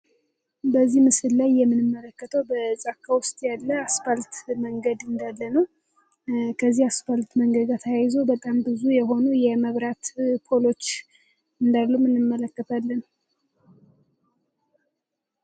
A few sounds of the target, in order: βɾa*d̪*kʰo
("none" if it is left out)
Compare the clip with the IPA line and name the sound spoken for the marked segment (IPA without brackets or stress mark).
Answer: t̪